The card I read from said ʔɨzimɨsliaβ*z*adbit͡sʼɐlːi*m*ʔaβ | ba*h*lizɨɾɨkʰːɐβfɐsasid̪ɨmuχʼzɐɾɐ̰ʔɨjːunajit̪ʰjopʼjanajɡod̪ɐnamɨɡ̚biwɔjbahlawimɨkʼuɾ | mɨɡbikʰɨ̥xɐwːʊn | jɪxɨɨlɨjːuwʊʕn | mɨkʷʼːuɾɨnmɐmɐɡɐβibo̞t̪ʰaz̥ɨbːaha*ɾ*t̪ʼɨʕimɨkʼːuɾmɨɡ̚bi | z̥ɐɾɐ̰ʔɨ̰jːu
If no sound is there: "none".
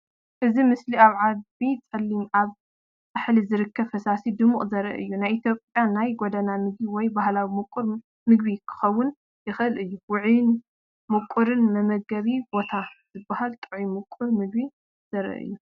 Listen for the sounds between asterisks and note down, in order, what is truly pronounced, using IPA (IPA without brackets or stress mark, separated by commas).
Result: ʕ, m, ħ, l